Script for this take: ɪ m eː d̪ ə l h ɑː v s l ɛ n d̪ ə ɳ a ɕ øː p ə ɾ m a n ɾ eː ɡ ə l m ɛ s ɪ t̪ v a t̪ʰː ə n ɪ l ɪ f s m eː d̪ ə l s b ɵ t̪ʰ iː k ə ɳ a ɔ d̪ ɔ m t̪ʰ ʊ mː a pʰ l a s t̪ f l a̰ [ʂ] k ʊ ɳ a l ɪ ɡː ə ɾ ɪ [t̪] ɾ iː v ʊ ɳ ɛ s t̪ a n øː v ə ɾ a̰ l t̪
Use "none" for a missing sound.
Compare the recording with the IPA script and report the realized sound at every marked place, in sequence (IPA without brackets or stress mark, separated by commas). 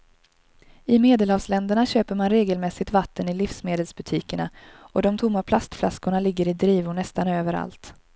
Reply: s, d̪